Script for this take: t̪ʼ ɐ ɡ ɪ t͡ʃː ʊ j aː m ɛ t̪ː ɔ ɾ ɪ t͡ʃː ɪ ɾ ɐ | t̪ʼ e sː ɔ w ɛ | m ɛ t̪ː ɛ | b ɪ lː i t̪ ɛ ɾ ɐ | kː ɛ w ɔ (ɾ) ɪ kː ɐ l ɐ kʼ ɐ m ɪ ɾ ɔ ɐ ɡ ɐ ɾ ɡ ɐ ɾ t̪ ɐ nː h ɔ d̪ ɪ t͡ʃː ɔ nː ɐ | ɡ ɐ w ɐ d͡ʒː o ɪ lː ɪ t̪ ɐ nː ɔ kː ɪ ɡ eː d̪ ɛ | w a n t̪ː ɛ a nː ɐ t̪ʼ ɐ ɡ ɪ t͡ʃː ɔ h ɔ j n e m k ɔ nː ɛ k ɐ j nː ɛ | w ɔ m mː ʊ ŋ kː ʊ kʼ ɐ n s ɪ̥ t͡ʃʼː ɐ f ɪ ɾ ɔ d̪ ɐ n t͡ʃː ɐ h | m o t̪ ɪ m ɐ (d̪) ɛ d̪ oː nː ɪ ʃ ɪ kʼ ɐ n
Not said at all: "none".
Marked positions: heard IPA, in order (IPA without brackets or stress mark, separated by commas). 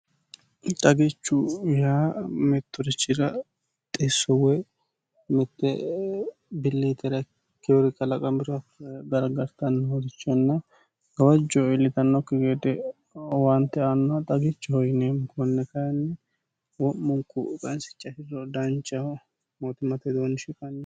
ɾ, t̪